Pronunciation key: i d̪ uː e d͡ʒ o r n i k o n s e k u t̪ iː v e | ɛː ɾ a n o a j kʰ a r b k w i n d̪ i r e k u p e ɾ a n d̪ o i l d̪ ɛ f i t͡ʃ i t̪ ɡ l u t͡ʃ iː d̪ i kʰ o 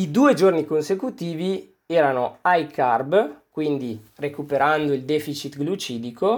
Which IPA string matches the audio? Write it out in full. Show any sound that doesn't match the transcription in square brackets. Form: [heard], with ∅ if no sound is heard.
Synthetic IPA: i d̪ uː e d͡ʒ o r n i k o n s e k u t̪ iː v [i] | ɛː ɾ a n o a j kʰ a r b k w i n d̪ i r e k u p e ɾ a n d̪ o i l d̪ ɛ f i t͡ʃ i t̪ ɡ l u t͡ʃ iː d̪ i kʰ o